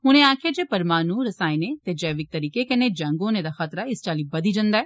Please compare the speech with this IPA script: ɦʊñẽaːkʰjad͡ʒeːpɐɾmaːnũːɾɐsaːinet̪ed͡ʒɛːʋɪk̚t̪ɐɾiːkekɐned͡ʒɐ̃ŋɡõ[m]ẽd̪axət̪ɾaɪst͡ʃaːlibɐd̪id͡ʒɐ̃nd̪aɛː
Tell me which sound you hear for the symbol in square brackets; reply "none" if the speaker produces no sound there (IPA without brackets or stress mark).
n